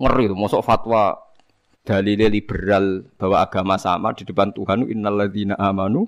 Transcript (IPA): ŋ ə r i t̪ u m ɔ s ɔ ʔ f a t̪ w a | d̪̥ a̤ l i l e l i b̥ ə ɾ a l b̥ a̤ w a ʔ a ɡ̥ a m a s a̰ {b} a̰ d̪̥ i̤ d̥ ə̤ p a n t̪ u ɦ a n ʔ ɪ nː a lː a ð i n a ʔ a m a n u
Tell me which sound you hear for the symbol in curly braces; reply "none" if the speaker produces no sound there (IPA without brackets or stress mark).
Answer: m